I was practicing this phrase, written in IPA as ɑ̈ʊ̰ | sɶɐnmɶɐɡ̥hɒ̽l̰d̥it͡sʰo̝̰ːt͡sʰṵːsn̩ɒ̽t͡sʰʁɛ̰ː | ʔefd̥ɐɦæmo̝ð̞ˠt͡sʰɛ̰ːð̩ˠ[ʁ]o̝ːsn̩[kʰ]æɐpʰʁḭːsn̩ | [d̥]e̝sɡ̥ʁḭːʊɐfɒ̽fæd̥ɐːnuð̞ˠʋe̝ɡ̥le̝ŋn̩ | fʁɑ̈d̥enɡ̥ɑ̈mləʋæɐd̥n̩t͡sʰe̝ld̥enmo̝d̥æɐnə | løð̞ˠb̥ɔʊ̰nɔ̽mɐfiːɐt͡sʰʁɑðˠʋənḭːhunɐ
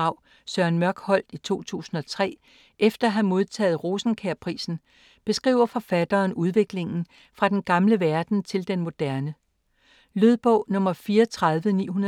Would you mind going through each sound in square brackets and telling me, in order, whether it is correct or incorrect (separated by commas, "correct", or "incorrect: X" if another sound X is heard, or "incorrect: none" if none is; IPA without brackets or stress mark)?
correct, correct, incorrect: b̥